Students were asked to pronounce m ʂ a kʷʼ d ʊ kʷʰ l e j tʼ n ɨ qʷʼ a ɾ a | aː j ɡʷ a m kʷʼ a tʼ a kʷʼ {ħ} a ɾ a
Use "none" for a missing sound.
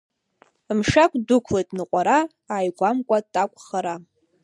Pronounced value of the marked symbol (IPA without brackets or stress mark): χ